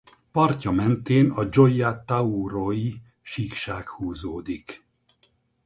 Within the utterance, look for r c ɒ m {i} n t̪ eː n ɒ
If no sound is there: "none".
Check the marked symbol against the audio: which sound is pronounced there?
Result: ɛ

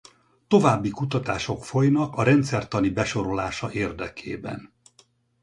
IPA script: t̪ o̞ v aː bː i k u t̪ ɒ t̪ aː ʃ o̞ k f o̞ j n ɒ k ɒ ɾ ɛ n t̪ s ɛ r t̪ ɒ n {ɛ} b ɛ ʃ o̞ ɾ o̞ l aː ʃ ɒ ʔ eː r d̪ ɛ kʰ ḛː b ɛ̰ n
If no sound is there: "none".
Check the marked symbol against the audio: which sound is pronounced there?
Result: i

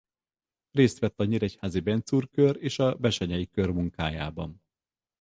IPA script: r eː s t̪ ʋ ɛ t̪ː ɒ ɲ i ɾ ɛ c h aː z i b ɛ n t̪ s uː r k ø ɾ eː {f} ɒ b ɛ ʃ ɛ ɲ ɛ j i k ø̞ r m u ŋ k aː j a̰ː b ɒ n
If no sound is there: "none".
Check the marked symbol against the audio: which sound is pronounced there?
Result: ʃ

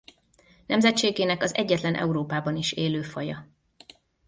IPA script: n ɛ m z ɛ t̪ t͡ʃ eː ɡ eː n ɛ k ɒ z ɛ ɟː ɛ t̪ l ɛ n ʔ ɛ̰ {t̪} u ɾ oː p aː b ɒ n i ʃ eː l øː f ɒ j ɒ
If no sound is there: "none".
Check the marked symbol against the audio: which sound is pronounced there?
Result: none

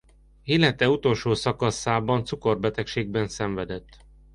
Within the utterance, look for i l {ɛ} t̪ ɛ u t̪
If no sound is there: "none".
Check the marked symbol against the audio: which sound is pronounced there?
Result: ɛ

